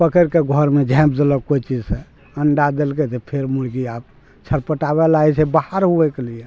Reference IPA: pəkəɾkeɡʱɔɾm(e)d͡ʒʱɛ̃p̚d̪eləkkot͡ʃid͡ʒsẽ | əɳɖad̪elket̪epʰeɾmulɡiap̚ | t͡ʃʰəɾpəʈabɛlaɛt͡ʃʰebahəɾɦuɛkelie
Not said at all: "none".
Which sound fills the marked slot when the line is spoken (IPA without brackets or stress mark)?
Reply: e